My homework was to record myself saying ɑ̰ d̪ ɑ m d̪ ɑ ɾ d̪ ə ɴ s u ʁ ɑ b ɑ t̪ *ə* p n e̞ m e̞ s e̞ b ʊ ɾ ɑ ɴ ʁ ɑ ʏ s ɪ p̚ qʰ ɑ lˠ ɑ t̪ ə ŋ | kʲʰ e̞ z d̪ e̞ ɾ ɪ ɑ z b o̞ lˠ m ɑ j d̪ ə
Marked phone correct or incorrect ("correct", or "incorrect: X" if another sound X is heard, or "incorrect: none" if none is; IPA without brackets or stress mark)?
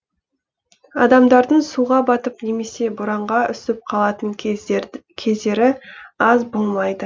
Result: correct